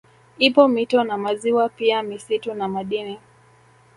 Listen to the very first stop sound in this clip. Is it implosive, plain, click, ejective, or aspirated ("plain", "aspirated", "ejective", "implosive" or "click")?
plain